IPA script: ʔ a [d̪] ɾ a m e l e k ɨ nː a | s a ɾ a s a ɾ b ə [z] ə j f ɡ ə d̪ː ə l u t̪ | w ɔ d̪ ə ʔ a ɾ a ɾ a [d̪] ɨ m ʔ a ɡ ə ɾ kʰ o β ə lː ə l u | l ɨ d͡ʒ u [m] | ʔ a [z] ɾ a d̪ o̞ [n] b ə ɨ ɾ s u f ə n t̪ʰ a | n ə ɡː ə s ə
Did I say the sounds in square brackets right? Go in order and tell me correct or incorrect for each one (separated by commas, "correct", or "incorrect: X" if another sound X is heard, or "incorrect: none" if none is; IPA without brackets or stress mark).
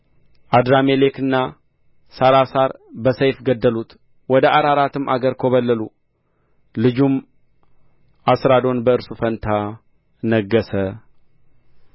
correct, incorrect: s, incorrect: t̪, correct, incorrect: s, correct